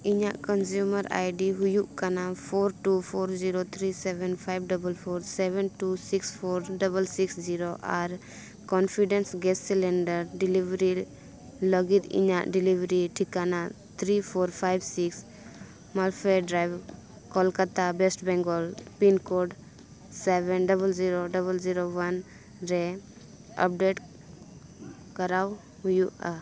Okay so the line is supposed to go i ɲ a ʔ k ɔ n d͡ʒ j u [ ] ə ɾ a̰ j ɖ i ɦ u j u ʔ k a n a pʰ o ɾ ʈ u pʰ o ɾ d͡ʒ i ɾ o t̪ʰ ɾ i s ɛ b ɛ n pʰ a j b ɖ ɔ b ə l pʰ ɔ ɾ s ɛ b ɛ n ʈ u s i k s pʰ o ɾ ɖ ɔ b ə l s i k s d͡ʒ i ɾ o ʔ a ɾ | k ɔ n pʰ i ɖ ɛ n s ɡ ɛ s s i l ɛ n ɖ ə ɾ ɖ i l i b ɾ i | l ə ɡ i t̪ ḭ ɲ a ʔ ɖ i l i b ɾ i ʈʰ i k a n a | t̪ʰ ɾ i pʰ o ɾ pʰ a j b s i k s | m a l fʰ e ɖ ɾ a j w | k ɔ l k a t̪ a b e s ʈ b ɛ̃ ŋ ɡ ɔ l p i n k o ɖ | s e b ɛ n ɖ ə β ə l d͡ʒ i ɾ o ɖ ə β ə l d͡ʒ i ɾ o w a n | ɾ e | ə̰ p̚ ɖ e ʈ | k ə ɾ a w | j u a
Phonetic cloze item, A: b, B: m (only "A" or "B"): B